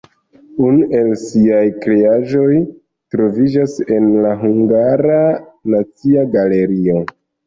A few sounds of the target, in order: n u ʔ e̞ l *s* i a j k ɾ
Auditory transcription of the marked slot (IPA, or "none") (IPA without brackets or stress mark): s